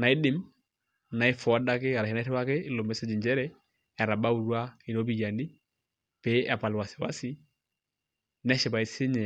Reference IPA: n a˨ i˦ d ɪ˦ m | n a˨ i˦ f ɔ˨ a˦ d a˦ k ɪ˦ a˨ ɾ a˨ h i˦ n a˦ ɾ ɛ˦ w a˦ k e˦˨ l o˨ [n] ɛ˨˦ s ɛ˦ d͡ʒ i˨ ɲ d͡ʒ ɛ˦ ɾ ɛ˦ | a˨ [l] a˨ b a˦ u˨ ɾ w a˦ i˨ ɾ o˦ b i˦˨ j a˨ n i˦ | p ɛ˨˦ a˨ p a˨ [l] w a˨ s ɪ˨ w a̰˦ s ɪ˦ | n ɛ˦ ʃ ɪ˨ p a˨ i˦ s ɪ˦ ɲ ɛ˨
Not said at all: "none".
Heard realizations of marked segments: m, ɾ, l

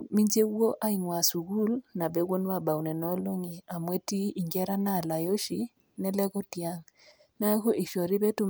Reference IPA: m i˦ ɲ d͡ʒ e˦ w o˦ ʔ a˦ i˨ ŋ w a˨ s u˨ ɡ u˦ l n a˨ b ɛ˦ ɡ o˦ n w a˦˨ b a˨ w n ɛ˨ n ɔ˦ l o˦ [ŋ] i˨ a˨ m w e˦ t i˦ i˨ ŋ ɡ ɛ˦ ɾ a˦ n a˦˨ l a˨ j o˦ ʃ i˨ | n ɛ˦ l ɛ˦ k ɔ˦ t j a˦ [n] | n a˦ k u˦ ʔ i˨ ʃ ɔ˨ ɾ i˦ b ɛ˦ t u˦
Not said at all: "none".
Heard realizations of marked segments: ŋ, ŋ

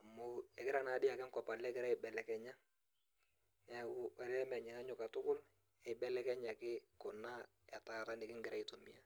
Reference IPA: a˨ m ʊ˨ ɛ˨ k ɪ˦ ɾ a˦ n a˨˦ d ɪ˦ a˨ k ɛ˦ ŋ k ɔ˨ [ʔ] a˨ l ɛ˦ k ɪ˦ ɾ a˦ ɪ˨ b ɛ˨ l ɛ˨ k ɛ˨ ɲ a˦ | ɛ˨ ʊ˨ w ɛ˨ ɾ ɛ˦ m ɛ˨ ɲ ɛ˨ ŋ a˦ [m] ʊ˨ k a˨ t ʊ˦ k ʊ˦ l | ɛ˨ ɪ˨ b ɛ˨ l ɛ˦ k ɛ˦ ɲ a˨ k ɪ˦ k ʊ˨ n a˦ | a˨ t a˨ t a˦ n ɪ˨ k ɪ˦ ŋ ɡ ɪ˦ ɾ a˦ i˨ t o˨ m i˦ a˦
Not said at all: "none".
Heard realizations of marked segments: p, ɲ

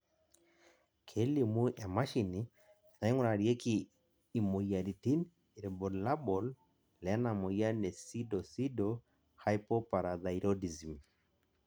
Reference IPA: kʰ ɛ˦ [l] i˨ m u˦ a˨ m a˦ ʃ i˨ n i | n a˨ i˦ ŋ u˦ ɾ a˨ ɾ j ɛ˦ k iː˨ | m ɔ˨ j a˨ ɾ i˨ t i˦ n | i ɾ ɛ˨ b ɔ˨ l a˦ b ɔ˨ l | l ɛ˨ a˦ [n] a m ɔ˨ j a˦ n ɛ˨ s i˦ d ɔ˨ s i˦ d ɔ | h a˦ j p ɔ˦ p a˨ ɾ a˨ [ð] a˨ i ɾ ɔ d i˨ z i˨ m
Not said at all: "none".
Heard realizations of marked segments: l, n, ð

